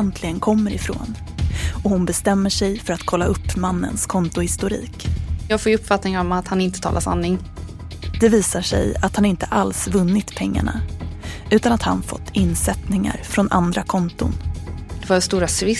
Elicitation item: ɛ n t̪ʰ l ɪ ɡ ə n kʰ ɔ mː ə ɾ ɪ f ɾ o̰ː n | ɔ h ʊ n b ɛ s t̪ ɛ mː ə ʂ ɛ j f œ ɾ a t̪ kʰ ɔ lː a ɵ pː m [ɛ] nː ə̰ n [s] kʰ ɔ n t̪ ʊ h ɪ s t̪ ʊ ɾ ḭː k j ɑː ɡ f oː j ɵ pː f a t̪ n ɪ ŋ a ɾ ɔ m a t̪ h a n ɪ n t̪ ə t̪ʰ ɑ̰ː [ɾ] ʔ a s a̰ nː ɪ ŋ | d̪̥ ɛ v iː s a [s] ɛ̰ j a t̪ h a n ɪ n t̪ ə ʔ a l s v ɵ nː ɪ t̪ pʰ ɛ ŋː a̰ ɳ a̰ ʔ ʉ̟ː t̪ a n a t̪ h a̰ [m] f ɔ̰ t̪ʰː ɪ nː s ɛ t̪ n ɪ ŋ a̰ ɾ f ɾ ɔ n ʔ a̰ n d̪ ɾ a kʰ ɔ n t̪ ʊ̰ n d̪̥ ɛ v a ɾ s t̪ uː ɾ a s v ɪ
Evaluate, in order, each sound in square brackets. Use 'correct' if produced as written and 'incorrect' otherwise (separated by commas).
incorrect, correct, incorrect, incorrect, incorrect